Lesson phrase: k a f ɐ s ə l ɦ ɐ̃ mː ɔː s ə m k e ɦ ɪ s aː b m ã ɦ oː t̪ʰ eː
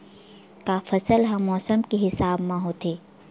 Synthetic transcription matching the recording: k a f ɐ s ə l ɦ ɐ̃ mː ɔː s ə m k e ɦ ɪ s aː b m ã ɦ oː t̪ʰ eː